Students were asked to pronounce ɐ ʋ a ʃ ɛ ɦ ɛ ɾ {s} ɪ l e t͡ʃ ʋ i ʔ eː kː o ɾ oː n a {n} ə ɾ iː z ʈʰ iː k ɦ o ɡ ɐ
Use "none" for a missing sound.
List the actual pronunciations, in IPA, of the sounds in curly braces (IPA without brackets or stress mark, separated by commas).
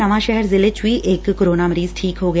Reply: z, m